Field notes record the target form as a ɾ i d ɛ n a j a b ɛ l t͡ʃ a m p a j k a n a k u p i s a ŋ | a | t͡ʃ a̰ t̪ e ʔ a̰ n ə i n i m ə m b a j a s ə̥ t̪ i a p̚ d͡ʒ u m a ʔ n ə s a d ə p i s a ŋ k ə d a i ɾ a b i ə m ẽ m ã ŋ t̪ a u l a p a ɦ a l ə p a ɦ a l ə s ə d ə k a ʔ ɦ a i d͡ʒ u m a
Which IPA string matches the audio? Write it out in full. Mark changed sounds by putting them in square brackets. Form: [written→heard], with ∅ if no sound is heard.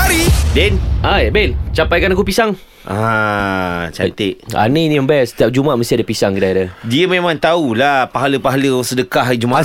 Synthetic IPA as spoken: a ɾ i d ɛ n a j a b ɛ l t͡ʃ a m p a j k a n a k u p i s a ŋ | a | t͡ʃ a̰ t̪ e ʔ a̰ n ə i n i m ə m b a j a s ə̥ t̪ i a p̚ d͡ʒ u m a ʔ [n→m] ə s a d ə p i s a ŋ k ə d a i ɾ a [b→d] i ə m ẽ m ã ŋ t̪ a u l a p a ɦ a l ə p a ɦ a l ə s ə d ə k a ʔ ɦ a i d͡ʒ u m a